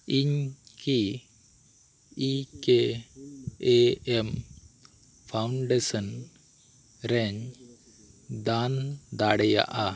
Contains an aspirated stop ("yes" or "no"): yes